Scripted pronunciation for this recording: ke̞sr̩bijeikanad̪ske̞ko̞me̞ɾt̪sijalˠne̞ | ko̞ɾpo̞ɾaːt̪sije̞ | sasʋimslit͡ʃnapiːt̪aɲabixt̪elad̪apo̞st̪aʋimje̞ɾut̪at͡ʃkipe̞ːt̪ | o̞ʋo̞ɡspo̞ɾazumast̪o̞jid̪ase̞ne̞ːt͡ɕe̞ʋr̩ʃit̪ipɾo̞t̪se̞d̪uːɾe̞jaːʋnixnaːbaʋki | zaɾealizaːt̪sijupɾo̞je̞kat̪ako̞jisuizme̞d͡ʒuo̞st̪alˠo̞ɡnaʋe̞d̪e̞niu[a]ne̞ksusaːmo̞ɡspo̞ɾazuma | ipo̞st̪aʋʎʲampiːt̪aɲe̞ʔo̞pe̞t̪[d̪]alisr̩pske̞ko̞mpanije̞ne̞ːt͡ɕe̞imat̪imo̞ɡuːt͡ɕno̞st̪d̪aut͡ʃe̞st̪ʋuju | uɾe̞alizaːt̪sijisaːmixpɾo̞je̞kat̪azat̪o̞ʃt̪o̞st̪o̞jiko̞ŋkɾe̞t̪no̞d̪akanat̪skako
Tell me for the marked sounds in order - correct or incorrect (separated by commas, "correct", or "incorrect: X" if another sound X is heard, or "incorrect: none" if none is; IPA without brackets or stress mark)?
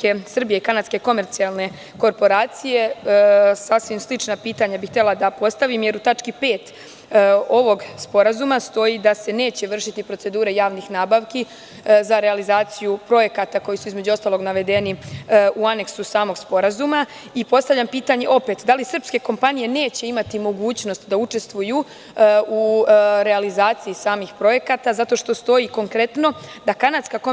correct, correct